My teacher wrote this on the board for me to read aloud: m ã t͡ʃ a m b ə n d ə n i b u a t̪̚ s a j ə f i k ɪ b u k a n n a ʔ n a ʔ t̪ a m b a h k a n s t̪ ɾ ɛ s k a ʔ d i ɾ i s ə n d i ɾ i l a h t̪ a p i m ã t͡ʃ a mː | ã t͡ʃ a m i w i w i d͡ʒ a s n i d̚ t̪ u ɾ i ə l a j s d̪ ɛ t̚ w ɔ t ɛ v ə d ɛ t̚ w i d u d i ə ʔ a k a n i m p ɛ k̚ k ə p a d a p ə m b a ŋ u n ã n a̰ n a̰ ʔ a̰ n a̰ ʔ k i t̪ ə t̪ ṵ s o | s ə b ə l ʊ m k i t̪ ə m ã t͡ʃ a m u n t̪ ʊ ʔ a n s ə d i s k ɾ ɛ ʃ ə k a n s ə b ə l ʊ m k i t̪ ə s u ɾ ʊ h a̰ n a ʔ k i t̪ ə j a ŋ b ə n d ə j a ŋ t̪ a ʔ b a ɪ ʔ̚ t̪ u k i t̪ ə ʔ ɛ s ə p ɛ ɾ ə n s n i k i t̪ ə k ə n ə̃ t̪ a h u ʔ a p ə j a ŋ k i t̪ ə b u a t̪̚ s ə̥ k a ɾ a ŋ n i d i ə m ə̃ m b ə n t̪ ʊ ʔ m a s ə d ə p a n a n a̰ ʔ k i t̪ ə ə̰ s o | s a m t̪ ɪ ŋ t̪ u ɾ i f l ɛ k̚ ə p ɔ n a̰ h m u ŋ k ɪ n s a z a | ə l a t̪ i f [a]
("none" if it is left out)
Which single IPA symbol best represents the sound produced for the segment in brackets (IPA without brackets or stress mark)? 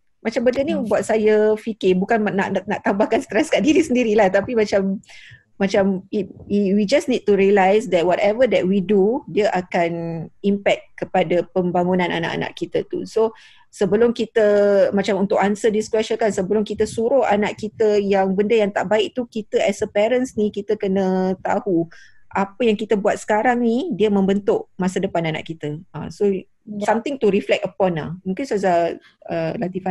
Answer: a